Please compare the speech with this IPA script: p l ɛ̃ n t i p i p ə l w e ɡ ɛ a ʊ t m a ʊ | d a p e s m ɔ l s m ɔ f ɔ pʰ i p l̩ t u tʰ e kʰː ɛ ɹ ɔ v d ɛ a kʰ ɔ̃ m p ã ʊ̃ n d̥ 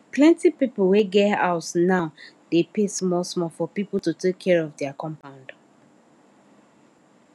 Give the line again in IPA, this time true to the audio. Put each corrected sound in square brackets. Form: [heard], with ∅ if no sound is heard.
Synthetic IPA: p l ɛ̃ n t i p i p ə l w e ɡ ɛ a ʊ t [n] a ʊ | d [e] p e s m ɔ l s m ɔ f ɔ [p] i p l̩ t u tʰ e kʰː ɛ ɹ ɔ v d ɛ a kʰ ɔ̃ m p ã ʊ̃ n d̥